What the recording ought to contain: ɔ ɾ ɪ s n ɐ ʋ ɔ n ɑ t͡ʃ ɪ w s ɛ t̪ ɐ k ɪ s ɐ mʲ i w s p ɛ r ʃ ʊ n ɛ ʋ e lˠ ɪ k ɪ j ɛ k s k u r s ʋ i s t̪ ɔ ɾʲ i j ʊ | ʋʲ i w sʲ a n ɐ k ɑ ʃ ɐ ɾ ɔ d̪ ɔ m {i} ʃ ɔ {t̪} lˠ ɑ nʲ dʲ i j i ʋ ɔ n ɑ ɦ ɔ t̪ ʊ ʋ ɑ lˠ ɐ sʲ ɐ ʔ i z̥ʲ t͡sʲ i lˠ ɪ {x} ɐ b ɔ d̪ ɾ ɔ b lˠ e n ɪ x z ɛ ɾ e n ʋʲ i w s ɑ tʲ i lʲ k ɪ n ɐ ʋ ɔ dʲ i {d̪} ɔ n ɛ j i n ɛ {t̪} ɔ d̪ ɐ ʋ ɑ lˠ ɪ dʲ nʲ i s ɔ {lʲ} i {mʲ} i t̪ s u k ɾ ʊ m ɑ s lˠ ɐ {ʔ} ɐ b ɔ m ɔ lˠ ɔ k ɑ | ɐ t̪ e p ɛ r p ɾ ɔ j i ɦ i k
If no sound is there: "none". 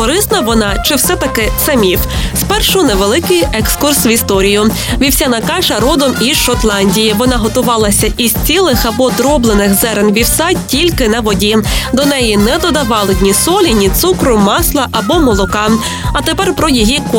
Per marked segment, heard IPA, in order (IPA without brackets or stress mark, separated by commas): i, t̪, x, d̪, d̪, lʲ, nʲ, ʔ